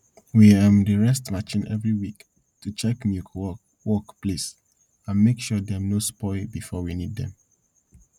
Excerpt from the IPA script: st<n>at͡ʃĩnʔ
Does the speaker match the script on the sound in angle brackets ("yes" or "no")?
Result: no